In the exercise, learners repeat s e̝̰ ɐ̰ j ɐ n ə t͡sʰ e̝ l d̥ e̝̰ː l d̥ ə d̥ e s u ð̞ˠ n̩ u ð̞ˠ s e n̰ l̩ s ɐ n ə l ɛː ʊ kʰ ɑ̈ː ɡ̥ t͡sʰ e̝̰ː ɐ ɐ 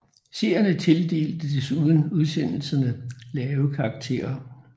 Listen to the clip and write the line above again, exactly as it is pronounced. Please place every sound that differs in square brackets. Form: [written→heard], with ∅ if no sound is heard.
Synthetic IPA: s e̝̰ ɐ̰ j ɐ n ə t͡sʰ e̝ l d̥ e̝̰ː l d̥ ə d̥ e s u ð̞ˠ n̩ u ð̞ˠ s e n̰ l̩ s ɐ n ə l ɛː ʊ kʰ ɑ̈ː ɡ̥ t͡sʰ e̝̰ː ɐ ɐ